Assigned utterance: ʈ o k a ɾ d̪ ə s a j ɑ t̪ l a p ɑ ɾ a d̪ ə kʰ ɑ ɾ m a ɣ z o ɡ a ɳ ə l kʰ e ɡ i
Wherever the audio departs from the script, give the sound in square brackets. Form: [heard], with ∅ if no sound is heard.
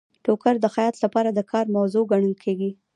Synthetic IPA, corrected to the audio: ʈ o k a ɾ d̪ ə [x] a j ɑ t̪ l a p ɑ ɾ a d̪ ə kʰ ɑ ɾ m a [w] z o ɡ a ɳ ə l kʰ e ɡ i